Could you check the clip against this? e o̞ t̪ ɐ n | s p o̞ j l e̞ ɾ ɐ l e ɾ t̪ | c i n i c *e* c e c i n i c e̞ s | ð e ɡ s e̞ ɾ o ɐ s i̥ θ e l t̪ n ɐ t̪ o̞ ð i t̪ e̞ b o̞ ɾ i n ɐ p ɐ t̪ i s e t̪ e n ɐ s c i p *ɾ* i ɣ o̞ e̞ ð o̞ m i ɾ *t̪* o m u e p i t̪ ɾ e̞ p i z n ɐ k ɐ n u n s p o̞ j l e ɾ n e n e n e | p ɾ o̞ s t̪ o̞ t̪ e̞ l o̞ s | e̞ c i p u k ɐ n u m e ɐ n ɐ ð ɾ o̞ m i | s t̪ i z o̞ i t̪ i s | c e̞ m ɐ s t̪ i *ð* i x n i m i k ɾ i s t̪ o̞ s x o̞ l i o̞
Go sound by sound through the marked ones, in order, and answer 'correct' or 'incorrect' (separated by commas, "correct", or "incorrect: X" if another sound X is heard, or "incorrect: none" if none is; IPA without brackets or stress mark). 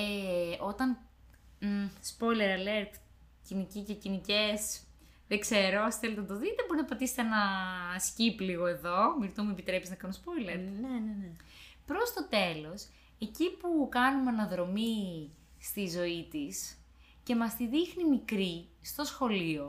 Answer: incorrect: i, incorrect: l, correct, correct